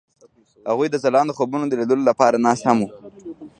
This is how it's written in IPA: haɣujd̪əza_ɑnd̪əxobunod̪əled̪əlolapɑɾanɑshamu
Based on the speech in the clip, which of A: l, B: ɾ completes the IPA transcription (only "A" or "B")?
A